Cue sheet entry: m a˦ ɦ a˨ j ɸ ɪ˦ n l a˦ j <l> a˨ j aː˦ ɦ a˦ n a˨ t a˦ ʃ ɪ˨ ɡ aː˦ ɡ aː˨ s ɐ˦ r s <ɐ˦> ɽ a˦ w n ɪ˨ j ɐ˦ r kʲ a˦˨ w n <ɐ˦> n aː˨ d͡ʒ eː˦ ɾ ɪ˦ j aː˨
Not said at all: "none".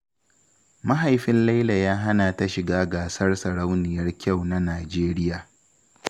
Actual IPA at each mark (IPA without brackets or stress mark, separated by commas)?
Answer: l, ɐ˨, a˦